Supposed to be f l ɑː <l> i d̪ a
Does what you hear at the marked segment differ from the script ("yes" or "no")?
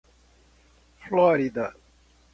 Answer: yes